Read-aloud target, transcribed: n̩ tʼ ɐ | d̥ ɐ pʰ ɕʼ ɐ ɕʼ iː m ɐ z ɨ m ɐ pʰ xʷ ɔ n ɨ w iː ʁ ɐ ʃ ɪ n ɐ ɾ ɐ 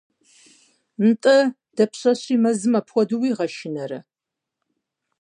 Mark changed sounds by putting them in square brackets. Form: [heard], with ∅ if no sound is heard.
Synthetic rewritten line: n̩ tʼ ɐ | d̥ ɐ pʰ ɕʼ ɐ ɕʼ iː m ɐ z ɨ m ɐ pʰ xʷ ɔ [d] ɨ w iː ʁ ɐ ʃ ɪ n ɐ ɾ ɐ